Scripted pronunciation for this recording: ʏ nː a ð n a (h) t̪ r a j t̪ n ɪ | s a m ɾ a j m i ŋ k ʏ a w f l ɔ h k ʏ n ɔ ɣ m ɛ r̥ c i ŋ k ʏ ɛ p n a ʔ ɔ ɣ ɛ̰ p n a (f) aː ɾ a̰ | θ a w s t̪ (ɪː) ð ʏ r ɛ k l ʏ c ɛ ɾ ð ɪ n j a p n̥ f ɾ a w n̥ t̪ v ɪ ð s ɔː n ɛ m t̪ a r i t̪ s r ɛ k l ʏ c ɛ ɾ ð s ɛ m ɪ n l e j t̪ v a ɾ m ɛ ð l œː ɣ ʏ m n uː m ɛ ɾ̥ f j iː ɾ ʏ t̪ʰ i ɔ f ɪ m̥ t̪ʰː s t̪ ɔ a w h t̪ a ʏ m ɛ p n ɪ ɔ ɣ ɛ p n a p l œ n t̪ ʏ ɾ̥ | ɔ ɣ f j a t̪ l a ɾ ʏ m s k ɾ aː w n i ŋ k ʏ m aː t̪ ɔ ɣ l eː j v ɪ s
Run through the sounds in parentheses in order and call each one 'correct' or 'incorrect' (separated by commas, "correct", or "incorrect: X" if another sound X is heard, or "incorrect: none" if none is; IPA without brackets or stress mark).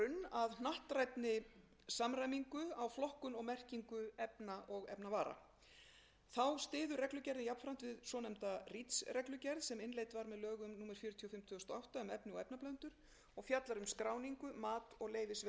correct, incorrect: v, correct